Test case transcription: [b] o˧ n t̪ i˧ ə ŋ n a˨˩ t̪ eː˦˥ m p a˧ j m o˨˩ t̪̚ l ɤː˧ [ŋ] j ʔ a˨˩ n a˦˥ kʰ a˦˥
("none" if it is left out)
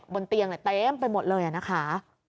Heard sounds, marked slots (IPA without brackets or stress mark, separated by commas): b, none